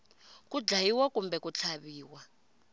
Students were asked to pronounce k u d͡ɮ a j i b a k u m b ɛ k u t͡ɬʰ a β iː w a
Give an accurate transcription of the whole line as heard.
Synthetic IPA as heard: k u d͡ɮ a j i w a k u m b ɛ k u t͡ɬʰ a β iː w a